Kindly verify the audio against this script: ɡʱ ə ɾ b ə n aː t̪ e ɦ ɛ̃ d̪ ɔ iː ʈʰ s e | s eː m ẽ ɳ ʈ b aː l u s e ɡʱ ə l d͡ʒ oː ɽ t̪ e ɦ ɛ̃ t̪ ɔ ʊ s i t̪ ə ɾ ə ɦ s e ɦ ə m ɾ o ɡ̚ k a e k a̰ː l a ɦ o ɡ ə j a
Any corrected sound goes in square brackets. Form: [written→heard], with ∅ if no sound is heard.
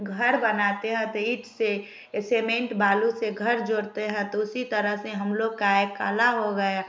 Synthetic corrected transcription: ɡʱ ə ɾ b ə n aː t̪ e ɦ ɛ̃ [d̪→t̪] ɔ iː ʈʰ s e | s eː m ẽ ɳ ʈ b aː l u s e ɡʱ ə [l→ɾ] d͡ʒ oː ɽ t̪ e ɦ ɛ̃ t̪ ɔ ʊ s i t̪ ə ɾ ə ɦ s e ɦ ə m [ɾ→l] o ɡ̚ k a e k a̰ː l a ɦ o ɡ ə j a